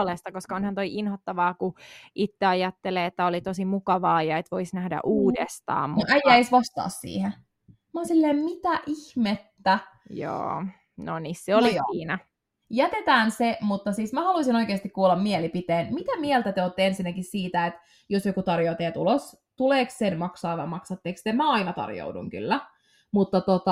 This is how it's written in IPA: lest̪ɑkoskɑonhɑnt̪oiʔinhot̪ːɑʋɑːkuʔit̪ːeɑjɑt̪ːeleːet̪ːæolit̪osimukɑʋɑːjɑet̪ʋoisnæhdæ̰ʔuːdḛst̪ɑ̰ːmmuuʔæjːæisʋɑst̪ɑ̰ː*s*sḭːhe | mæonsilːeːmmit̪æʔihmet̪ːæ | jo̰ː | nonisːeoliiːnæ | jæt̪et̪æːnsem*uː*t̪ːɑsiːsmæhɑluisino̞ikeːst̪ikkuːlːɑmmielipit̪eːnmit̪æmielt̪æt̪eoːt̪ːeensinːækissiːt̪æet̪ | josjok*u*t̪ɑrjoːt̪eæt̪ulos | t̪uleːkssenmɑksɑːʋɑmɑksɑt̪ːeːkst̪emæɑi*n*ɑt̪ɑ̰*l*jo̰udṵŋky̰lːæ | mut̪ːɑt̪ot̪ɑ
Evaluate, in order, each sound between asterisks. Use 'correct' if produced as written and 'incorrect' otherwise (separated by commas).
correct, incorrect, correct, correct, incorrect